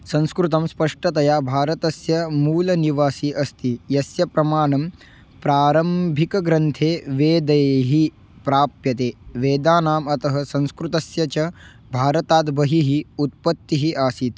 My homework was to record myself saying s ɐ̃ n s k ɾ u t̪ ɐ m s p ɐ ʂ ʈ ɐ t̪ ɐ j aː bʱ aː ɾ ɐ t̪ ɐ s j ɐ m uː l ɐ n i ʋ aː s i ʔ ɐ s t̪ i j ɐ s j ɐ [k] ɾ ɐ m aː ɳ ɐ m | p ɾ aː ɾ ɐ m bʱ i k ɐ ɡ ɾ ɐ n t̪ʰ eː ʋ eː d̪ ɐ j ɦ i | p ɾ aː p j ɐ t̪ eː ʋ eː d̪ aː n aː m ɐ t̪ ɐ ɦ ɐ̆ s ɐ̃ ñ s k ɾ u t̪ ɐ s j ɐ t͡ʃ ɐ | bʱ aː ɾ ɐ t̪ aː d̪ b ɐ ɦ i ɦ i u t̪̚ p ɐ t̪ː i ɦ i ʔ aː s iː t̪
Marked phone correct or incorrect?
incorrect